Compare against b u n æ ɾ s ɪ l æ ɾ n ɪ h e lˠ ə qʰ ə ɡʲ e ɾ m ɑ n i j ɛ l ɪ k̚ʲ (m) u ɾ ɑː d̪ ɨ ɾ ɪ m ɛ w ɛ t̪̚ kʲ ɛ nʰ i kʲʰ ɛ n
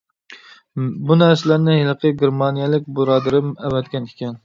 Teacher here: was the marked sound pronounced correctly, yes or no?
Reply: no